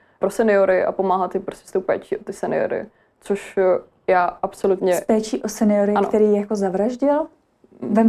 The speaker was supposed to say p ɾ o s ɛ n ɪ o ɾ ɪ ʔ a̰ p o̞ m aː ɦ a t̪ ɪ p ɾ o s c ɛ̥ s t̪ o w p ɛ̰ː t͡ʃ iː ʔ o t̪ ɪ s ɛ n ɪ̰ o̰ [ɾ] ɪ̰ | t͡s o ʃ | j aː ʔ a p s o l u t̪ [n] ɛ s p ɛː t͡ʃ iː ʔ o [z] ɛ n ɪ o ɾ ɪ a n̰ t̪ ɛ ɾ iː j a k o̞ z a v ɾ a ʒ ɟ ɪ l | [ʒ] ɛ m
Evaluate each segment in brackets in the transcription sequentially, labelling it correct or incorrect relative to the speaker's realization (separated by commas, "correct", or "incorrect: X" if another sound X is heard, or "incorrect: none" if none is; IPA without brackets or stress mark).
correct, incorrect: ɲ, incorrect: s, incorrect: v